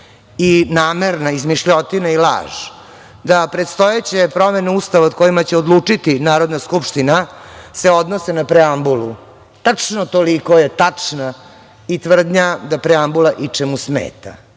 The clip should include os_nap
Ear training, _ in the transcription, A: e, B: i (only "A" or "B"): A